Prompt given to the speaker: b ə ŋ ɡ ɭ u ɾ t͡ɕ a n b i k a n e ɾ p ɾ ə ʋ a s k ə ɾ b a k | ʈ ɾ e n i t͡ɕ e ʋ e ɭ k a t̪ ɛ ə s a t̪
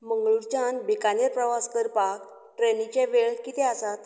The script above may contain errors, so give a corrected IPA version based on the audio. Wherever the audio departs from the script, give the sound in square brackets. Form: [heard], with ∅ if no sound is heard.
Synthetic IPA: [m] ə ŋ ɡ ɭ u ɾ t͡ɕ a n b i k a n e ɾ p ɾ ə ʋ a s k ə ɾ [p] a k | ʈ ɾ e n i t͡ɕ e ʋ e ɭ k [i] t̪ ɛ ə s a t̪

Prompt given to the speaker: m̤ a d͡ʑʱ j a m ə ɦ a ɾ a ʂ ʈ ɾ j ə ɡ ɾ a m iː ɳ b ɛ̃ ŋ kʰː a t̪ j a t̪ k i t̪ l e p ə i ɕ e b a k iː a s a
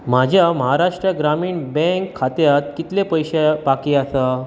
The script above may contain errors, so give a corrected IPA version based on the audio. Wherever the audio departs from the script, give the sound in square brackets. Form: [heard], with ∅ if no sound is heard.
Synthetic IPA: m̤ a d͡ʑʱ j a m ə ɦ a ɾ a ʂ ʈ ɾ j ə ɡ ɾ a m iː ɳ b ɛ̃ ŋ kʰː a t̪ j a t̪ k i t̪ l e p ə [j] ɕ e b a k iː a s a

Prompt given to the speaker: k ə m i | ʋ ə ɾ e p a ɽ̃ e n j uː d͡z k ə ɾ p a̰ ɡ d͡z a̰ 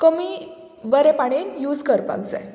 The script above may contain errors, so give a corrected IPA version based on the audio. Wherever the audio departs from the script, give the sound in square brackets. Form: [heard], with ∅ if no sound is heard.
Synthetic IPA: k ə m i | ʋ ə ɾ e p a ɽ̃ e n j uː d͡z k ə ɾ p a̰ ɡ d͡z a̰

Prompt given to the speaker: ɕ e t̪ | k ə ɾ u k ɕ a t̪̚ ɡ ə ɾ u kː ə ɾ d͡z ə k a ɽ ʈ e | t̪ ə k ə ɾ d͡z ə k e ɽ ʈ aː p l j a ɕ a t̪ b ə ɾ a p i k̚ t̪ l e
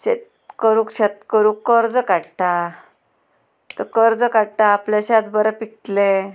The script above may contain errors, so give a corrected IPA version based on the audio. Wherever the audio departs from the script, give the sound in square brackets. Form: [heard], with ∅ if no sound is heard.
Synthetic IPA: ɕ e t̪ | k ə ɾ u k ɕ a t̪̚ [k] ə ɾ u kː ə ɾ d͡z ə k a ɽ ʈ [a] | t̪ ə k ə ɾ d͡z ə k [a] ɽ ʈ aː p l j a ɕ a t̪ b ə ɾ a p i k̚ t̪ l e

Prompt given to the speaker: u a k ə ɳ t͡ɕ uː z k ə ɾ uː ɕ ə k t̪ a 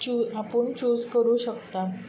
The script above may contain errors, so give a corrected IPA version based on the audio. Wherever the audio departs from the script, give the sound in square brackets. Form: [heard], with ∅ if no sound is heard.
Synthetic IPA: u a [p] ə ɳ t͡ɕ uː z k ə ɾ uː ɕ ə k t̪ a

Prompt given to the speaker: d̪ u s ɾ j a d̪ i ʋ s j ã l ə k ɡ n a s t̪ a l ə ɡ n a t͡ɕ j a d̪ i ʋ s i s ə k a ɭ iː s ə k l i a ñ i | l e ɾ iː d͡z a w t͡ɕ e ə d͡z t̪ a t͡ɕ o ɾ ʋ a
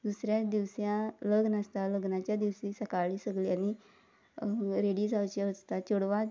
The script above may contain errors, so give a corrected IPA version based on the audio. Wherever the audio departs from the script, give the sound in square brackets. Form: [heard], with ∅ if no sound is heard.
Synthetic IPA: d̪ u s ɾ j a d̪ i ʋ s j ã l ə [∅] ɡ n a s t̪ a l ə ɡ n a t͡ɕ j a d̪ i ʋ s i s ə k a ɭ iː s ə [ɡ] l i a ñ i | [ɾ] e [ɽ] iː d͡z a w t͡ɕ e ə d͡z t̪ a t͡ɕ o [ɽ] ʋ a

